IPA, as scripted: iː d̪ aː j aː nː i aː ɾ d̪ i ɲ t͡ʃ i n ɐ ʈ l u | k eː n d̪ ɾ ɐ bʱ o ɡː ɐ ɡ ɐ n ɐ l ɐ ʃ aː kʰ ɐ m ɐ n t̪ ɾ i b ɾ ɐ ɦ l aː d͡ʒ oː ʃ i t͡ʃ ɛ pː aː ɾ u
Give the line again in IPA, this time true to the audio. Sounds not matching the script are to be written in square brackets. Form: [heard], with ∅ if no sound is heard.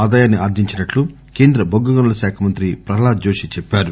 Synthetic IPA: [aː] d̪ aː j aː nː i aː ɾ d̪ i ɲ t͡ʃ i n ɐ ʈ l u | k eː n d̪ ɾ ɐ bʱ o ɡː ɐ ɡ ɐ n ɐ l ɐ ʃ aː kʰ ɐ m ɐ n t̪ ɾ i [p] ɾ ɐ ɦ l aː d͡ʒ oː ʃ i t͡ʃ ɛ pː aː ɾ u